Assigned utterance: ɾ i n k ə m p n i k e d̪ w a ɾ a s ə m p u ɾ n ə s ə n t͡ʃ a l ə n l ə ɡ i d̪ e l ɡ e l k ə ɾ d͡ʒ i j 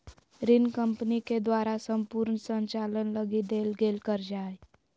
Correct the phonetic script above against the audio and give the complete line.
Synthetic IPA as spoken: ɾ i n k ə m p n i k e d̪ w a ɾ a s ə m p u ɾ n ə s ə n t͡ʃ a l ə n l ə ɡ i d̪ e l ɡ e l k ə ɾ d͡ʒ a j